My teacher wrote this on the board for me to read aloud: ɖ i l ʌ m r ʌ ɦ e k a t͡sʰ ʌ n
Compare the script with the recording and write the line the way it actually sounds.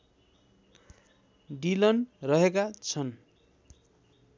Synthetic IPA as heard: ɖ i l ʌ n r ʌ ɦ e k a t͡sʰ ʌ n